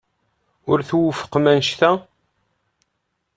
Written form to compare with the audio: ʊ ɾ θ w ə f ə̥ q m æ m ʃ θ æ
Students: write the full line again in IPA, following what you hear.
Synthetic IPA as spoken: ʊ ɾ θ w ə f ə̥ q m æ n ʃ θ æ

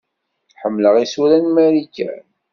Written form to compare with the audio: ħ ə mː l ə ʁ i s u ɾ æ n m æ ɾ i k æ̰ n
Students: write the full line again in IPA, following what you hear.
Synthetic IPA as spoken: ħ ə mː l ə ʁ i s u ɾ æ n m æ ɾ i k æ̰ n

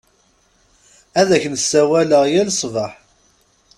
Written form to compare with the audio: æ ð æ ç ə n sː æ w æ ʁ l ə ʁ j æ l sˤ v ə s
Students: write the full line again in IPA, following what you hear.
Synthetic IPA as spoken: æ ð æ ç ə n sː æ w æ l ə ʁ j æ l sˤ v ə ħ

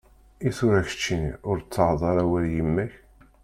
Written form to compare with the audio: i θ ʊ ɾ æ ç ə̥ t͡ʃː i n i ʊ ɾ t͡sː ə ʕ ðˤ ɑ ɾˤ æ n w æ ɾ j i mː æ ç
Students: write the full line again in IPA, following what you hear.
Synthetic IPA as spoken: i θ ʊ ɾ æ ç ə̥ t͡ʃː i n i ʊ ɾ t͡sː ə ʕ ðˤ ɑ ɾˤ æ w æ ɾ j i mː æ ç

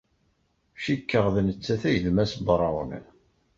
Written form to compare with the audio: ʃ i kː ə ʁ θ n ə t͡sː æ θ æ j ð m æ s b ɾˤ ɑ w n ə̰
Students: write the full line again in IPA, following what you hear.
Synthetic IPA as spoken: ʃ i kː ə ʁ ð n ə t͡sː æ θ æ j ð m æ s b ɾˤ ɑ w n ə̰

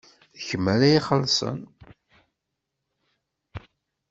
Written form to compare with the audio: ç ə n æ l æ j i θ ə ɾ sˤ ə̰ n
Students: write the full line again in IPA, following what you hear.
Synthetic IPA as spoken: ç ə m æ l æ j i χ ə l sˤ ə̰ n

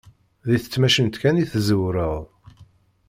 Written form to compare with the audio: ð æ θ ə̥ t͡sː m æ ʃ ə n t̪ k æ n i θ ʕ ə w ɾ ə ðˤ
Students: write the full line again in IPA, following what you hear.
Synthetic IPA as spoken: ð i θ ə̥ t͡sː m æ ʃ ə n t̪ k æ n i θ z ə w ɾ ə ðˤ

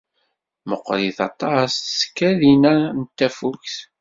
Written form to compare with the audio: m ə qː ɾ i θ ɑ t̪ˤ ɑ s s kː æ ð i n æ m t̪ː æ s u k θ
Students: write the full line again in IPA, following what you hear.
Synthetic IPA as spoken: m ə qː ɾ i θ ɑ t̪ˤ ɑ s s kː æ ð i n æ n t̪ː æ f u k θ

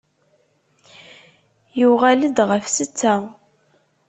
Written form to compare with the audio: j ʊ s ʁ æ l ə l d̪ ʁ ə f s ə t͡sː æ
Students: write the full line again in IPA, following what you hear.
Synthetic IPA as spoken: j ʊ ʁ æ l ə d̪ ʁ ə f s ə t͡sː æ

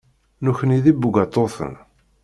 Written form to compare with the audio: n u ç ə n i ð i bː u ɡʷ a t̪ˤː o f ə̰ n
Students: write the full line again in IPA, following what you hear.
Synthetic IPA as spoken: n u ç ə n i ð i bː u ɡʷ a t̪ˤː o θ ə̰ n

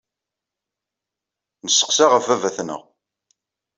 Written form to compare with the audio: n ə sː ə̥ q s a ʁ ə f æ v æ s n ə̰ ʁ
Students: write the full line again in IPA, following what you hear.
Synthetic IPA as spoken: n ə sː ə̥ q s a ʁ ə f æ v æ θ n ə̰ ʁ

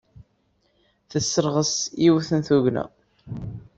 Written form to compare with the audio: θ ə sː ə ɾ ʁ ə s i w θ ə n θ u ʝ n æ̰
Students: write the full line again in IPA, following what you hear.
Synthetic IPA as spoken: θ ə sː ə ɾ ʁ ə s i w θ ə n θ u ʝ n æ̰

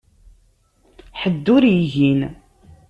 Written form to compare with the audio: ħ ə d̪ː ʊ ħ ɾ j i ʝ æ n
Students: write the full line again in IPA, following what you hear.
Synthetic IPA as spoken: ħ ə d̪ː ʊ ɾ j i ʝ i n

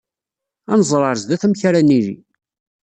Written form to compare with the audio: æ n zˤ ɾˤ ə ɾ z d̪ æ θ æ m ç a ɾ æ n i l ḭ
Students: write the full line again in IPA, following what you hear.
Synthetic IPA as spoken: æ n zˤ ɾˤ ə ɾ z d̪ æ θ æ m ç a ɾ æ n i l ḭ

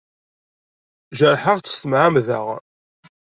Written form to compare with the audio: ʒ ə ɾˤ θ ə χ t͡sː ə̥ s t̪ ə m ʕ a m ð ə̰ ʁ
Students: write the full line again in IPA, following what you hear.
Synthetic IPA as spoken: ʒ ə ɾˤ ħ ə ʁ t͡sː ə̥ s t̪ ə m ʕ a m ð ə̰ ʁ

